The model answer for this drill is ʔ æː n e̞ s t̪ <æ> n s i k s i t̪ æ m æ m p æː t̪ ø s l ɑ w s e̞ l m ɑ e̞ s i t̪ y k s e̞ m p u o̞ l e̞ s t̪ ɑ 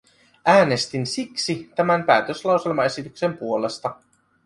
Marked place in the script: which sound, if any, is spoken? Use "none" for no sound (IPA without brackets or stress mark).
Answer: i